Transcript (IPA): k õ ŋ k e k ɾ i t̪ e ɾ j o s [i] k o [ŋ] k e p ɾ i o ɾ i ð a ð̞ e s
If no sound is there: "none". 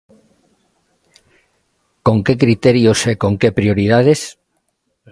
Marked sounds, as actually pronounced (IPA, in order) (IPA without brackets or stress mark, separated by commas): e, ŋ